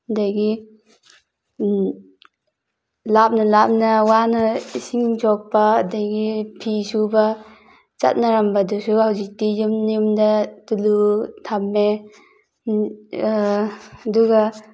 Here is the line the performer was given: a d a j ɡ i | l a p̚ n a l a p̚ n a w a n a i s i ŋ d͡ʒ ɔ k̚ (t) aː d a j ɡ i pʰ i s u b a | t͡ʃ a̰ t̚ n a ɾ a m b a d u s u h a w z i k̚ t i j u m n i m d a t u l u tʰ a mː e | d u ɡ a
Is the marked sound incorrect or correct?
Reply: incorrect